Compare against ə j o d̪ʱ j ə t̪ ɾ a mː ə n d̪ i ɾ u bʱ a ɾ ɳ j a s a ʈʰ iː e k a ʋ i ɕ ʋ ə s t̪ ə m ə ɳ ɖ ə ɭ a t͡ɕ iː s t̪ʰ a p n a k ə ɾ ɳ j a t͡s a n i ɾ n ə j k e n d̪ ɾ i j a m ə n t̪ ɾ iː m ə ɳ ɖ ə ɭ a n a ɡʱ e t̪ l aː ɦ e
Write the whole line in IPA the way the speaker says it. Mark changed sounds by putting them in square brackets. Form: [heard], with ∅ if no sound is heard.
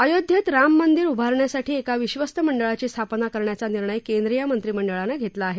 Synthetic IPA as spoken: ə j o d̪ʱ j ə t̪ ɾ a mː ə n d̪ i ɾ u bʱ a ɾ ɳ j a s a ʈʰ iː e k a ʋ i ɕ ʋ ə s t̪ ə m ə ɳ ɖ ə ɭ a t͡ɕ iː s t̪ʰ a p n a k ə ɾ ɳ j a t͡s a n i ɾ [ɳ] ə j k e n d̪ ɾ i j a m ə n t̪ ɾ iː m ə ɳ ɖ ə ɭ a n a ɡʱ e t̪ l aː ɦ e